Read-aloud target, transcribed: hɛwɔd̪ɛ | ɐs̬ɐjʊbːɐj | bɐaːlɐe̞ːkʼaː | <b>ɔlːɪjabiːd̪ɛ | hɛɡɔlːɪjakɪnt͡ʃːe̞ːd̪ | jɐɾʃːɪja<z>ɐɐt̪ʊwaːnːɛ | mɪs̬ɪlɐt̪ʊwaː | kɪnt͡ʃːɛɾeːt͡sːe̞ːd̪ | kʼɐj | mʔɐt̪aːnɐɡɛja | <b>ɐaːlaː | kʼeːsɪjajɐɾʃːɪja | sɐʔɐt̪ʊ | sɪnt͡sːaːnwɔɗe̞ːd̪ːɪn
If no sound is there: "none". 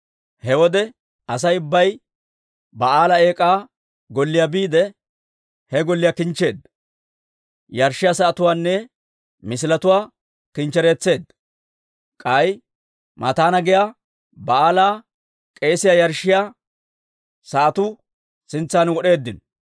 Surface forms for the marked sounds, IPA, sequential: ɡ, s, b

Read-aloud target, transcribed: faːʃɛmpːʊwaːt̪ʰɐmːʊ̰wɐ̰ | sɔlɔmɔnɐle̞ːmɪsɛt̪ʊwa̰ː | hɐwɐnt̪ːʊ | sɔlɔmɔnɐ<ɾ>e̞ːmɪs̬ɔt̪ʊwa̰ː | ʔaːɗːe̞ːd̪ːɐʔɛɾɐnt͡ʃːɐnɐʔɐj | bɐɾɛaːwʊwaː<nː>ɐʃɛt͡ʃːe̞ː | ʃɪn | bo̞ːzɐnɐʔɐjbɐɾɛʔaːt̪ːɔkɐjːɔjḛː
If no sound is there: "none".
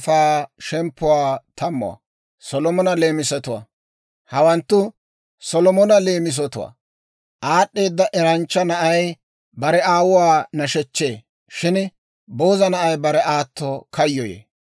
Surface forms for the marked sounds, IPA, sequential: l, n

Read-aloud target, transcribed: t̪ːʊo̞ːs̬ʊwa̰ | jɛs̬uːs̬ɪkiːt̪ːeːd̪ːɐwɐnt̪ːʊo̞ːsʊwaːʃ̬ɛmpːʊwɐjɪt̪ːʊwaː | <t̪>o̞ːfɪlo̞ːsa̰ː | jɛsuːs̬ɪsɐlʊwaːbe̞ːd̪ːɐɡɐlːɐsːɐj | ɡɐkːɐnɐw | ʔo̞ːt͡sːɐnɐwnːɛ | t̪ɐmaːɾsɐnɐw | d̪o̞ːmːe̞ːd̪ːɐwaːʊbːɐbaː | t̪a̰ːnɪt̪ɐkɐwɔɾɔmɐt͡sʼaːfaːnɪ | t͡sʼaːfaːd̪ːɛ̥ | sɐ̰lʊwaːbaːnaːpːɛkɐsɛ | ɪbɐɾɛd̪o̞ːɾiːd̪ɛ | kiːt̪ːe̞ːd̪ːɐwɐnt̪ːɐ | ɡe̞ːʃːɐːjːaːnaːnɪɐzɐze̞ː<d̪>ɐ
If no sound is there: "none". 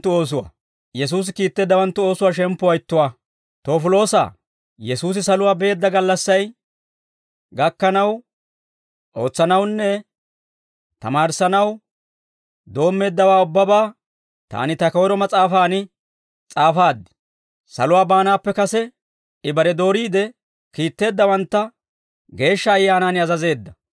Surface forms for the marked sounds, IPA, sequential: t̪, d̪ː

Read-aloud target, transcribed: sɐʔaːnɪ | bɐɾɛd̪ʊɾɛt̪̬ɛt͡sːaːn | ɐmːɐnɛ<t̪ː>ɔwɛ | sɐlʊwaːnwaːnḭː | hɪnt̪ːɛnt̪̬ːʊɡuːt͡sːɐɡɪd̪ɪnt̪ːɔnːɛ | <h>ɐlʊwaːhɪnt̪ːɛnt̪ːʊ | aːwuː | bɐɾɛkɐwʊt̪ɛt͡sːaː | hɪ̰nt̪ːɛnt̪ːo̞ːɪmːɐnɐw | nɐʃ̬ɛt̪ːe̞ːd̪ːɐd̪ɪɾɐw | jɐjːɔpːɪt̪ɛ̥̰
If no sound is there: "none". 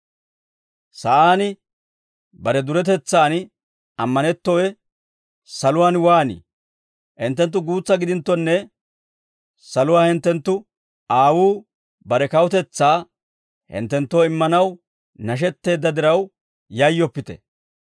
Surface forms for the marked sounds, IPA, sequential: t̪ː, s

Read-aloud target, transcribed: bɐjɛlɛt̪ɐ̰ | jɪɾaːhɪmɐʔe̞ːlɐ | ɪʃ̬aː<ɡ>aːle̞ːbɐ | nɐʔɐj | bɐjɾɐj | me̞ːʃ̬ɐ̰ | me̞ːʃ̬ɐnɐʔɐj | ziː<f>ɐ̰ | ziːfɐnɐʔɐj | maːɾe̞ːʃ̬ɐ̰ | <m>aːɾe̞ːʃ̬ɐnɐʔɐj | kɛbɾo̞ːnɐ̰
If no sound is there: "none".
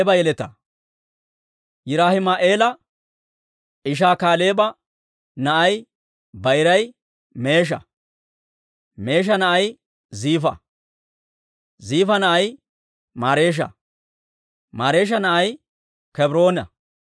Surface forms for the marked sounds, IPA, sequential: k, f, m

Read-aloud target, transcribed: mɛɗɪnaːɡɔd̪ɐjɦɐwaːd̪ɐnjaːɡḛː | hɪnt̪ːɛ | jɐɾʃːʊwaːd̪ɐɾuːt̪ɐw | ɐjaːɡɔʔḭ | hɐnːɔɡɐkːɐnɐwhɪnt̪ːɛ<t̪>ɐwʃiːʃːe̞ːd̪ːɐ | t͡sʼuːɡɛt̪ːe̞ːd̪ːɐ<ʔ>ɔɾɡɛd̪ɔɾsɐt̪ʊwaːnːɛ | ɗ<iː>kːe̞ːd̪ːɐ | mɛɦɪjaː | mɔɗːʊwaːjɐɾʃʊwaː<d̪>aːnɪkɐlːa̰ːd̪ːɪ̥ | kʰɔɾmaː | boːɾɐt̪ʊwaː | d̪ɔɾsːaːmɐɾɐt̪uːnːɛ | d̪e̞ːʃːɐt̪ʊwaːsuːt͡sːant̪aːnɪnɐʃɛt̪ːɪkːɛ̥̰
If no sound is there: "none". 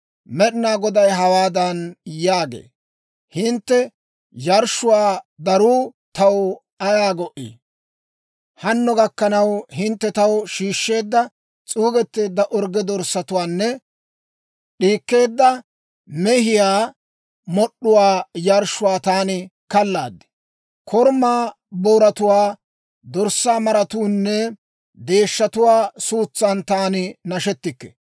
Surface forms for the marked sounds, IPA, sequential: t̪, ʔ, iː, t̪

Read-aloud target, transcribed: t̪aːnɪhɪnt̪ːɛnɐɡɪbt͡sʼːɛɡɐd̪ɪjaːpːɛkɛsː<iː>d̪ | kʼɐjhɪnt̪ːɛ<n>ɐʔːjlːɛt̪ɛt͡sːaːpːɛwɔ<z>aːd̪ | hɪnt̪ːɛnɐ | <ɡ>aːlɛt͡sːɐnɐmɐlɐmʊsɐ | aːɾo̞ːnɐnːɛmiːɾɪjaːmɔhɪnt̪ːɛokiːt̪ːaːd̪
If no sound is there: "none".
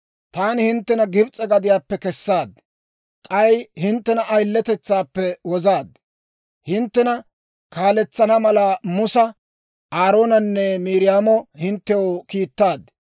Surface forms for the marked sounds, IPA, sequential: aː, n, z, k

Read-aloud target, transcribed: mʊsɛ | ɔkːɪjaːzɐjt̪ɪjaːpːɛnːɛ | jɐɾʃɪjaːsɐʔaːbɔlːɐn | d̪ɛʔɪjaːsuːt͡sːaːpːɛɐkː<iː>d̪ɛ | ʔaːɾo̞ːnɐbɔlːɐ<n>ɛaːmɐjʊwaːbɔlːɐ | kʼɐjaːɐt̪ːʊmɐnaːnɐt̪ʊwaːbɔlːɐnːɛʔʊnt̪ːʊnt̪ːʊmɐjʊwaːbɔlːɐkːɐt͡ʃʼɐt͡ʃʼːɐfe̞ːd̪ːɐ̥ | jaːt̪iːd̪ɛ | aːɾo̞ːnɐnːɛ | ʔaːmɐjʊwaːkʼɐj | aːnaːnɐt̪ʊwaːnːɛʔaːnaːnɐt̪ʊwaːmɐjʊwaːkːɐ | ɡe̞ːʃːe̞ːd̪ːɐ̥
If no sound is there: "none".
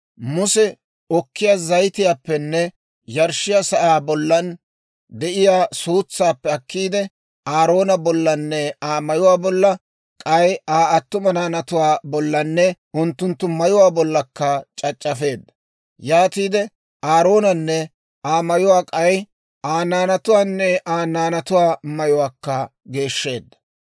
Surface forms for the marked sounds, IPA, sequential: iː, nː

